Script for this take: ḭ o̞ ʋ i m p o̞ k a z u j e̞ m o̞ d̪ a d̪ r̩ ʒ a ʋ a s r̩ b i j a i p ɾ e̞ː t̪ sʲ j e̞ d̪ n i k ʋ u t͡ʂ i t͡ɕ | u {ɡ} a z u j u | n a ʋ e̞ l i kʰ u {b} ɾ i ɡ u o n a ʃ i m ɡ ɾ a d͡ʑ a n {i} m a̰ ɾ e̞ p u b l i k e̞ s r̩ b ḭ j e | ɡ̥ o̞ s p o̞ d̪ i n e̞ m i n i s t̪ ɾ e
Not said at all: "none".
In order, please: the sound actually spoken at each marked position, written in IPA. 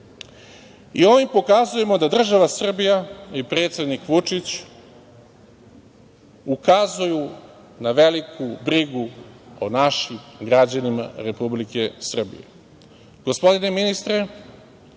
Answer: k, b, i

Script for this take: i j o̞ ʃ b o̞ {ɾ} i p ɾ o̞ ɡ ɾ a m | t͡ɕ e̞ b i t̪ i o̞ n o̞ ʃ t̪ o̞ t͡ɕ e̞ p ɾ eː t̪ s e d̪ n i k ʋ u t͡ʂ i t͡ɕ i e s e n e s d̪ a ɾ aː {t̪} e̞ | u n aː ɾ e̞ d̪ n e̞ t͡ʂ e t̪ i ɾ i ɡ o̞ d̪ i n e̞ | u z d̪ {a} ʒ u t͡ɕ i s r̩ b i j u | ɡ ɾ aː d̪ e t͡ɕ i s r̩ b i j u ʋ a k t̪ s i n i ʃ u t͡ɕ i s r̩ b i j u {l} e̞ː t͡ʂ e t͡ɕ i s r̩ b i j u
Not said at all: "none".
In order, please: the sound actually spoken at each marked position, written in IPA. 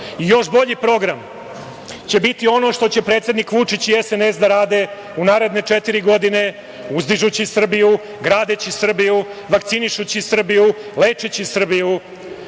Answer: ʎ, d̪, i, l

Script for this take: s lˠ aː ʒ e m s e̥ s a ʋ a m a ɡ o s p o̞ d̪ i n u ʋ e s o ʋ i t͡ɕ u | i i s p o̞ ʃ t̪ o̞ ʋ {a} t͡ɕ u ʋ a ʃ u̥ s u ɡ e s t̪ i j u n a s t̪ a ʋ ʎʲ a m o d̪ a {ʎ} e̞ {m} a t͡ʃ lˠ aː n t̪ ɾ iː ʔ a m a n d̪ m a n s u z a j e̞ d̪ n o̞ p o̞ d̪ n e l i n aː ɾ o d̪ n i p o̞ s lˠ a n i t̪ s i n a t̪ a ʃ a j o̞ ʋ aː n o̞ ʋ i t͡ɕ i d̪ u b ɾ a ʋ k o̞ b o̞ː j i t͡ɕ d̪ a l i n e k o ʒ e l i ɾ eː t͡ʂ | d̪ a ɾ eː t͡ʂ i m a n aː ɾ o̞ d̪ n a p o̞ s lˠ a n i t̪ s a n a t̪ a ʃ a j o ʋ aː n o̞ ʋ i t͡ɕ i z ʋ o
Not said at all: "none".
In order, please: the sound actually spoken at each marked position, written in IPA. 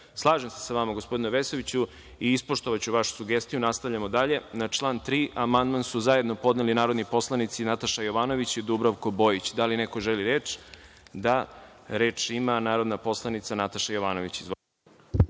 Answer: a, ʎ, n

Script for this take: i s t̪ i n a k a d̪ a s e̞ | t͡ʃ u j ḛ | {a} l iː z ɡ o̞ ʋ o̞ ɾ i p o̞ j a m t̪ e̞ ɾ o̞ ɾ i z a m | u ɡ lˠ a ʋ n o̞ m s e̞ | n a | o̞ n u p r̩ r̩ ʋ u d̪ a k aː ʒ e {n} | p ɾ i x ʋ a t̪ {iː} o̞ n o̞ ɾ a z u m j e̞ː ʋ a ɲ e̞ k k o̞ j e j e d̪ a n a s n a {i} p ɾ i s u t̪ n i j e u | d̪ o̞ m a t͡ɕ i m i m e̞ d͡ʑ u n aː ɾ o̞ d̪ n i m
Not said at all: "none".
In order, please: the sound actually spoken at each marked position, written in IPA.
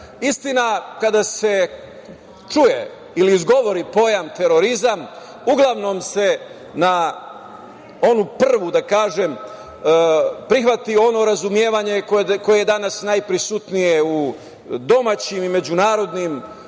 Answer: i, m, i, j

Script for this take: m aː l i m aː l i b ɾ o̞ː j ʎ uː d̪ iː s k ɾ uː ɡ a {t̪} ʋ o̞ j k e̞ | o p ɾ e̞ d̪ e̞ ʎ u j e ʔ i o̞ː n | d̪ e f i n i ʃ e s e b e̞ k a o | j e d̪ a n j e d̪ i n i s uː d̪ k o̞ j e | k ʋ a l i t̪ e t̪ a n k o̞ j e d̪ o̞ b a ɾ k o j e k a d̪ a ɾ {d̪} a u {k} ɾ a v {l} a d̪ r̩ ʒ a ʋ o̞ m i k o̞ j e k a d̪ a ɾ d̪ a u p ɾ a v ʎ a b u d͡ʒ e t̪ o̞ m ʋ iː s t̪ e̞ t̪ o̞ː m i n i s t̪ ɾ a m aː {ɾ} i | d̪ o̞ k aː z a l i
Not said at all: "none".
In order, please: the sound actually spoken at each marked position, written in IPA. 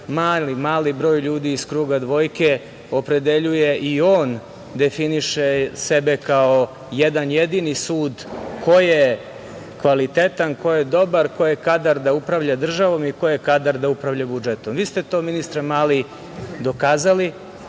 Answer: d̪, d̪, p, ʎ, l

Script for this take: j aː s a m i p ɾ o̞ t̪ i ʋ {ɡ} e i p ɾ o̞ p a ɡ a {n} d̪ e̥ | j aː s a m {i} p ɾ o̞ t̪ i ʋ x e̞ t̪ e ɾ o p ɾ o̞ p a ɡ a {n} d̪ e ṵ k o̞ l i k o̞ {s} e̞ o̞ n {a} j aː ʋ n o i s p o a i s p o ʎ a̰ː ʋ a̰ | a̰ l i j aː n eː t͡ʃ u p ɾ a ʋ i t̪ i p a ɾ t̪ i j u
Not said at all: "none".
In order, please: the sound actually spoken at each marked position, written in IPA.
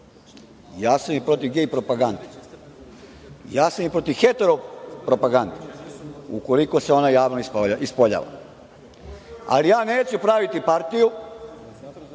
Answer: ɡ, n, i, n, s, a

